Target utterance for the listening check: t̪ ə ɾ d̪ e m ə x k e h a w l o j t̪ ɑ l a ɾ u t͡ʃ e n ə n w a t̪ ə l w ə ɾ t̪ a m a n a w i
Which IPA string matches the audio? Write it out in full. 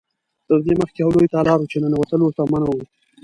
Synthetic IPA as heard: t̪ ə ɾ d̪ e m ə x k e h a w l o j t̪ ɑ l ɑ ɾ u t͡ʃ e n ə n w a t̪ ə l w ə ɾ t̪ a m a n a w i